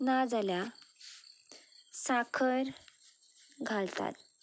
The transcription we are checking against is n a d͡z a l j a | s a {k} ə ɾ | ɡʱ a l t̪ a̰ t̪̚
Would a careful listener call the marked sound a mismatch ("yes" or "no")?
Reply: yes